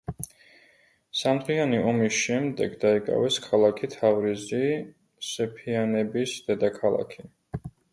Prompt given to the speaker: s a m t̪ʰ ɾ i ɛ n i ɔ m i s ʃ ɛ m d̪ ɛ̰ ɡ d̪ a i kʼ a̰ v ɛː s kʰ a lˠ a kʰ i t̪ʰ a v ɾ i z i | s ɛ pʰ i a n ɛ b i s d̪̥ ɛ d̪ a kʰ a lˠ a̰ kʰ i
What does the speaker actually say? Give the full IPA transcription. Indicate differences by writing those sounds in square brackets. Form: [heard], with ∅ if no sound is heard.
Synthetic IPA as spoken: s a m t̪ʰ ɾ i [a] n i ɔ m i s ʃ ɛ m d̪ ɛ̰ ɡ d̪ a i kʼ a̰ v [ɛ] s kʰ a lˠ a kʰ i t̪ʰ a v ɾ i z i | s ɛ pʰ i a n ɛ b i s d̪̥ ɛ d̪ a kʰ a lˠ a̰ kʰ i